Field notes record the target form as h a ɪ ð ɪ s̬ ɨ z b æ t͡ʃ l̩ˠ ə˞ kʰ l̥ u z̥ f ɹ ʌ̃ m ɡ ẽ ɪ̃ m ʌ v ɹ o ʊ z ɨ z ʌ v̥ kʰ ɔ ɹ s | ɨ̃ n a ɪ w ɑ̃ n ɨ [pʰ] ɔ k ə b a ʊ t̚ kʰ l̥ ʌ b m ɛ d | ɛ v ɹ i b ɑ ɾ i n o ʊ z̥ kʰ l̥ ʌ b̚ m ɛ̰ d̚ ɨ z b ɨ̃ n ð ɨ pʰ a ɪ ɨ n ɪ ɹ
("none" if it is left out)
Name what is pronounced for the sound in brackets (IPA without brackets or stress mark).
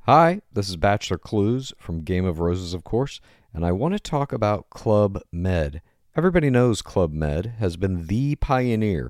tʰ